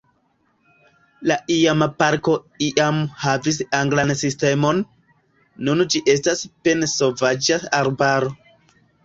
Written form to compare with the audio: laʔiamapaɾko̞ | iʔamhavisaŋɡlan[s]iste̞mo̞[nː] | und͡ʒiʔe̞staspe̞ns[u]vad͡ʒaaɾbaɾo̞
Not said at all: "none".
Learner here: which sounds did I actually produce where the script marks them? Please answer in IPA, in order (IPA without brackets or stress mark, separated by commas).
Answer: s, nː, o